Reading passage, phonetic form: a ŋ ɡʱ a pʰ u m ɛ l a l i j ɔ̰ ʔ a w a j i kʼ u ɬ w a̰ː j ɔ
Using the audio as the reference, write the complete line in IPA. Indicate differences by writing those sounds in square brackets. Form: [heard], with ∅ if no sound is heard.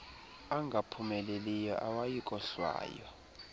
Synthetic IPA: a ŋ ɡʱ a pʰ u m ɛ l [e] l i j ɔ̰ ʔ a w a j i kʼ [ɔ] ɬ w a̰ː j ɔ